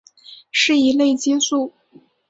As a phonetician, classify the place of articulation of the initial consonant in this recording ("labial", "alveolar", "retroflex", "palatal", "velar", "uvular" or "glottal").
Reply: retroflex